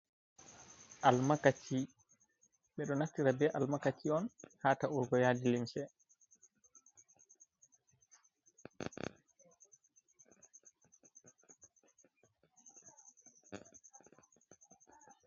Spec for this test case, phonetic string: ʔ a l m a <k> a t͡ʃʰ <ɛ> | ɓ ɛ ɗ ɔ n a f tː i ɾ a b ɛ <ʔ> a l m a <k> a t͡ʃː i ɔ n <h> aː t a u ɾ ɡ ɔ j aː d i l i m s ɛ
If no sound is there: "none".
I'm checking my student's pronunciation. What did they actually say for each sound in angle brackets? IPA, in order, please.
k, i, ʔ, k, h

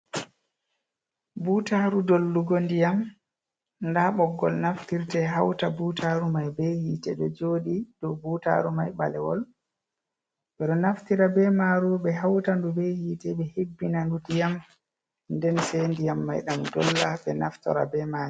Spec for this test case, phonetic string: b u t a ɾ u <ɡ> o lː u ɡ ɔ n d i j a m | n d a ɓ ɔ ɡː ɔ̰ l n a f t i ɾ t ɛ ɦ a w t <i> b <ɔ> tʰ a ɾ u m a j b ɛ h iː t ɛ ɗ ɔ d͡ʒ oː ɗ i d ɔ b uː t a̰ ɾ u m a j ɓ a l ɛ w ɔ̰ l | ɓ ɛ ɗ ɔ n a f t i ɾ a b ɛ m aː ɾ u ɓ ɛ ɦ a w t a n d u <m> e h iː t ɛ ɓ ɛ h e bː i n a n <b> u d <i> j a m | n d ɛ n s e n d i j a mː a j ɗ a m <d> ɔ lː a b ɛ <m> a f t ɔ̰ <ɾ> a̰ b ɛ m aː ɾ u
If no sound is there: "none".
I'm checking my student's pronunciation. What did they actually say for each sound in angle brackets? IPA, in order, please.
d, a, u, b, d, i, d, n, ɾ

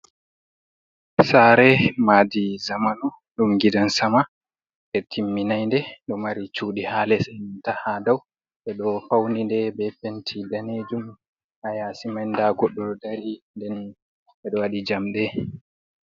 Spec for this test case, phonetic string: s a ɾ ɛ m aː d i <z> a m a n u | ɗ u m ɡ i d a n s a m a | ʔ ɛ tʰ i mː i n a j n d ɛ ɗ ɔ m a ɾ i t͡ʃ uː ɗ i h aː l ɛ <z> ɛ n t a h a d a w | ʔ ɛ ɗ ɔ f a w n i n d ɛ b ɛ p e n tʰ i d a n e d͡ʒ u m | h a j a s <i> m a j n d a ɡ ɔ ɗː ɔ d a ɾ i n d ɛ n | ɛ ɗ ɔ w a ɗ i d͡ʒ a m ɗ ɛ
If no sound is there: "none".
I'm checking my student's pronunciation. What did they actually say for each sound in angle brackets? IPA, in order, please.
z, s, i

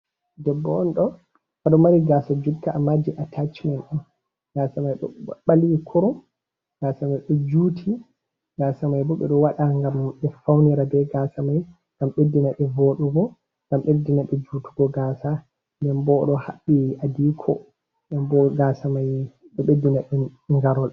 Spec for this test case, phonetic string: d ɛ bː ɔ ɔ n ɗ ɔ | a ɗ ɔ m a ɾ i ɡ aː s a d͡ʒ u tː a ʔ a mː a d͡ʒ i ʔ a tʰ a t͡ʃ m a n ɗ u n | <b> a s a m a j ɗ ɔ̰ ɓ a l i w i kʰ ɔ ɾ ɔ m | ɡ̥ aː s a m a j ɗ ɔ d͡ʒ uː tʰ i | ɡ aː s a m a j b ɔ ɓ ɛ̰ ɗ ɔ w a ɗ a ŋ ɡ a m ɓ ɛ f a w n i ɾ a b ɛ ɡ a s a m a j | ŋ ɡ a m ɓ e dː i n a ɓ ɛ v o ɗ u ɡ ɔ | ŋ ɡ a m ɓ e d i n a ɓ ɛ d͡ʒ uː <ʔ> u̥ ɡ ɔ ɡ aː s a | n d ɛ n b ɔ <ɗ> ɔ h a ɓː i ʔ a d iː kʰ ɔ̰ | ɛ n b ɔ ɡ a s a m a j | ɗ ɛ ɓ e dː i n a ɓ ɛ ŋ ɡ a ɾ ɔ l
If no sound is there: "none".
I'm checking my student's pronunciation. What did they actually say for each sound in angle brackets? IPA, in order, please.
ɡ, t, ɗ

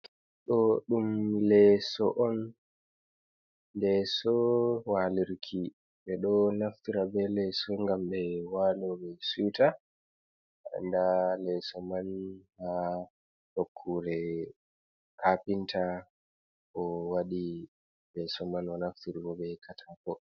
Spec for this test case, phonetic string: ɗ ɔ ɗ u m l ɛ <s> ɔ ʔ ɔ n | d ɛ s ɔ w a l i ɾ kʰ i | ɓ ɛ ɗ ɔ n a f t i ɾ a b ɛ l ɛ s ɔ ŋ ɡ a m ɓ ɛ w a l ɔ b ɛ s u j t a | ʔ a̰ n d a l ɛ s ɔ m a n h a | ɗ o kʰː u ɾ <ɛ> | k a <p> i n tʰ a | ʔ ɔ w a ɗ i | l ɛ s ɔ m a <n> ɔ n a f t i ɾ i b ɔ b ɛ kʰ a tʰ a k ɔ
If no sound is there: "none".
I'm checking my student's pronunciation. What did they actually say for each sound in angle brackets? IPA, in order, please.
s, ɛ, p, n

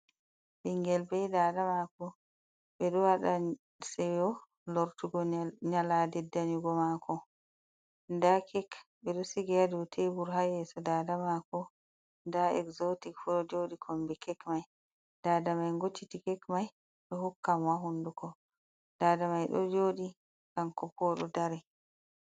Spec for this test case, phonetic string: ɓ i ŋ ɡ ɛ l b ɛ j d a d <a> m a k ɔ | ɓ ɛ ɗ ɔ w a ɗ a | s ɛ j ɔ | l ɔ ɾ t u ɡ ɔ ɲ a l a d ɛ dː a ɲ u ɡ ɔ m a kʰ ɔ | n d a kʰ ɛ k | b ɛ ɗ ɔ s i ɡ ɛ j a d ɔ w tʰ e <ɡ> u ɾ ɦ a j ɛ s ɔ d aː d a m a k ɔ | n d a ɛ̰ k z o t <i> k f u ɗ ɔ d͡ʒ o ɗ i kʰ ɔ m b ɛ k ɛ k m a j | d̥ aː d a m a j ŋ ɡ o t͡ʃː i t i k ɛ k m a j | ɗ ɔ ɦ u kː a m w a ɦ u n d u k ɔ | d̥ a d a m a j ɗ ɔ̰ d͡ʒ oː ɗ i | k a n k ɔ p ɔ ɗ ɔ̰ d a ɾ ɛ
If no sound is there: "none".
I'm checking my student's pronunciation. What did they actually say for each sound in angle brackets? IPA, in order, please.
a, b, i

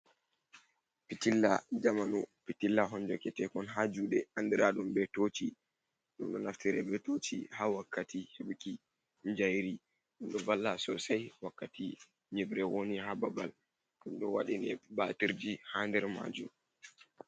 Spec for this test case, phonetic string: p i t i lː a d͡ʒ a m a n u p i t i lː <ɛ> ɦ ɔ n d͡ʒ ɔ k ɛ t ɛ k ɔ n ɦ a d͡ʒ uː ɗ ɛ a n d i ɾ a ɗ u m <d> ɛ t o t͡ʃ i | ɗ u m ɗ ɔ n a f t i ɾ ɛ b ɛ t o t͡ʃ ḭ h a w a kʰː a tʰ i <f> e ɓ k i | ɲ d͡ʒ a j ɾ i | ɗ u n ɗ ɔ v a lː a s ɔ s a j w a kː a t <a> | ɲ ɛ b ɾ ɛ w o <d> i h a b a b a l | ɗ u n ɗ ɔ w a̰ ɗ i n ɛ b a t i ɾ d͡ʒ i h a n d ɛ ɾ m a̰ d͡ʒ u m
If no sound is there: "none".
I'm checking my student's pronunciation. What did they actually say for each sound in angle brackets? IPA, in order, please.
a, b, h, i, n

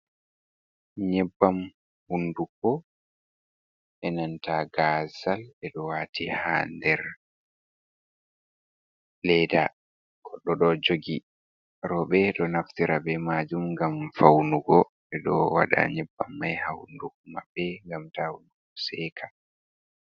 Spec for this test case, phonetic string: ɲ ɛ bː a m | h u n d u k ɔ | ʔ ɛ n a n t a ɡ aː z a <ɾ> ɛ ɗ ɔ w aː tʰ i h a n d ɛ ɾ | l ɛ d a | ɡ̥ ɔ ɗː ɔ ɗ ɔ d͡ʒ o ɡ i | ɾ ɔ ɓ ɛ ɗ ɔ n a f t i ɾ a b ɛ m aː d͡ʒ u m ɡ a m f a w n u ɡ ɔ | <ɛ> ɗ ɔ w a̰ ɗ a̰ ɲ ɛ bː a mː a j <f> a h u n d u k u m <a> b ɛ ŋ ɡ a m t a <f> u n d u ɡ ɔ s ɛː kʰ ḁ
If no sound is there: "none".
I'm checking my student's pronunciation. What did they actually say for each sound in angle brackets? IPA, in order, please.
l, ɛ, h, a, h

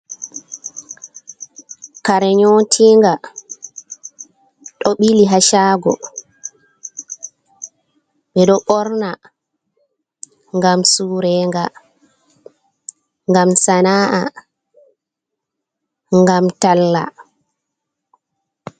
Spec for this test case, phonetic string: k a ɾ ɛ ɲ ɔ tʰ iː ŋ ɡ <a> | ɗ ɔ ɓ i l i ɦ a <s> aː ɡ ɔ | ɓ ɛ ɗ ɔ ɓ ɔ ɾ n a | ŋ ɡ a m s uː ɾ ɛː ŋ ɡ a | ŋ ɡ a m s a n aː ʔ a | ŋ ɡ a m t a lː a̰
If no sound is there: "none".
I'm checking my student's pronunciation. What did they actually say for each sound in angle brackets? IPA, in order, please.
a, ʃ

